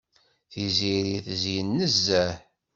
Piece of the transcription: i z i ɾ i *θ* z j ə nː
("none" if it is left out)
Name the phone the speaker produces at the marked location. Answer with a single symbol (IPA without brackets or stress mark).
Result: θ